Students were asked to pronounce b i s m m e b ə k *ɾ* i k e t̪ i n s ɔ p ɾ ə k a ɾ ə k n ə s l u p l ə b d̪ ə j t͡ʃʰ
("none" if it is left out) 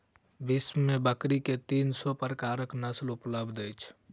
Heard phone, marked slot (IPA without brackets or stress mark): ɾ